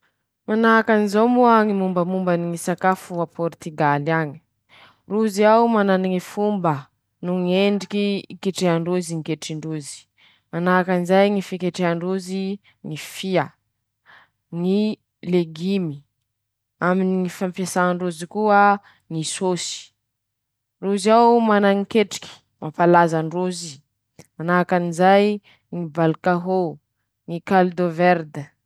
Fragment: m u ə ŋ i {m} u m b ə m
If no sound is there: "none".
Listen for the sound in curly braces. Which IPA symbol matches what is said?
m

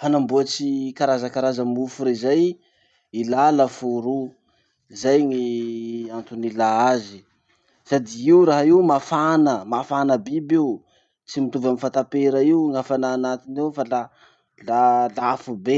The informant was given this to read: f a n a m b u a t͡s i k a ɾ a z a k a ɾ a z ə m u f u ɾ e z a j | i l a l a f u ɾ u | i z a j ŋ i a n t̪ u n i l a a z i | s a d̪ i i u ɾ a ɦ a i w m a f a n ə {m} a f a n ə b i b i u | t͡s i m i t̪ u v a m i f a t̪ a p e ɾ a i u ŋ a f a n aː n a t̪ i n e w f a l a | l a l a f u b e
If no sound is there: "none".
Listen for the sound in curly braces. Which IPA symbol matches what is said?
m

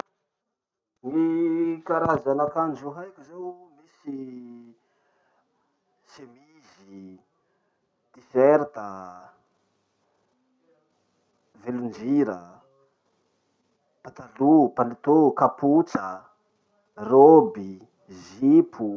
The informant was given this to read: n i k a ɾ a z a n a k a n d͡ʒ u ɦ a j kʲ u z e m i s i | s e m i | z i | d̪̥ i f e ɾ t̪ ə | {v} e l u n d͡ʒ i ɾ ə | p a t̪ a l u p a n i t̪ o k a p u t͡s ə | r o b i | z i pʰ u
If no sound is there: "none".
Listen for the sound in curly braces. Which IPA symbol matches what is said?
v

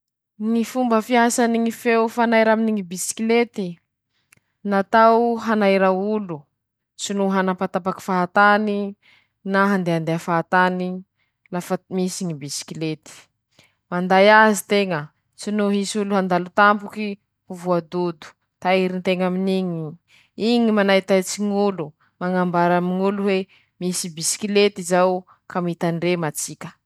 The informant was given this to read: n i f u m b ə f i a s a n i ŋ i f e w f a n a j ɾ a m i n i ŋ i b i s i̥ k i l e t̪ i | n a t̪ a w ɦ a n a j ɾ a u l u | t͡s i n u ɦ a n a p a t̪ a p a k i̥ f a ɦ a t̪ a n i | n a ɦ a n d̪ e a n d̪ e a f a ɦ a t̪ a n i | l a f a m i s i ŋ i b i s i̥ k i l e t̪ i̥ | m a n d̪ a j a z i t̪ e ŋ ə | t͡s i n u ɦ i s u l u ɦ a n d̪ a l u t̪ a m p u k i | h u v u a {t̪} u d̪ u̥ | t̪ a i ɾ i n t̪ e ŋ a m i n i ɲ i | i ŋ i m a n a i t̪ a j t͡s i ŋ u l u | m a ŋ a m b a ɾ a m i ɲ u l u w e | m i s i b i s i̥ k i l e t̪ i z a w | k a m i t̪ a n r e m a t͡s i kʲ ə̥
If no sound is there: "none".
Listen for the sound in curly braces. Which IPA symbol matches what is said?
d̪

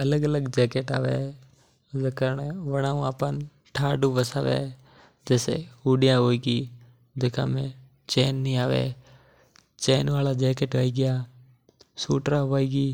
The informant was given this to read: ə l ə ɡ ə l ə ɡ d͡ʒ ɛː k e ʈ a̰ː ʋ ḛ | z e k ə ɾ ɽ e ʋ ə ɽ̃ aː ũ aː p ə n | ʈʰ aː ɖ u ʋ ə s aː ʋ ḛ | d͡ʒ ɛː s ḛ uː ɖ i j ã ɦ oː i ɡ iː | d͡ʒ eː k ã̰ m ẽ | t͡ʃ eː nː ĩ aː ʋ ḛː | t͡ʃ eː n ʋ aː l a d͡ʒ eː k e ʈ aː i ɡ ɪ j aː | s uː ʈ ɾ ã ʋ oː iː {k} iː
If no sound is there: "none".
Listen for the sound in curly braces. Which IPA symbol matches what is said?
ɡ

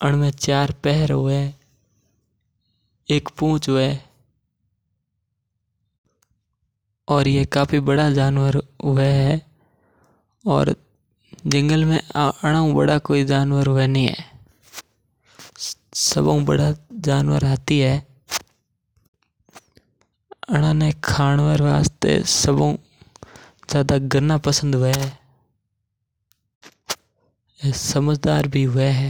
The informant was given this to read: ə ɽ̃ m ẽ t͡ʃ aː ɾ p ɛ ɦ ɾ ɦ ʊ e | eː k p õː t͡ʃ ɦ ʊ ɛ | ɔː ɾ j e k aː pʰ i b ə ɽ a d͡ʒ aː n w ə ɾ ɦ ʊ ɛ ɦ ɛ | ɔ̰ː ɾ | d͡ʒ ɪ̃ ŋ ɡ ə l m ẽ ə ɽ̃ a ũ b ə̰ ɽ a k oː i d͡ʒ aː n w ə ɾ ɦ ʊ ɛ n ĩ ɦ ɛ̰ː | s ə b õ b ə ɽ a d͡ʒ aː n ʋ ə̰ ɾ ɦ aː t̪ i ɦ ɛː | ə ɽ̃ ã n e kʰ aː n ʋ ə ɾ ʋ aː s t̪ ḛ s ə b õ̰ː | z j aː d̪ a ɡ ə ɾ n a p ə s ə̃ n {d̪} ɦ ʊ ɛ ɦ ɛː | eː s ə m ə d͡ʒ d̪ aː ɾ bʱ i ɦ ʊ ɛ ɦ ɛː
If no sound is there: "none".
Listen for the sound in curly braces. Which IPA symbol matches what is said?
d̪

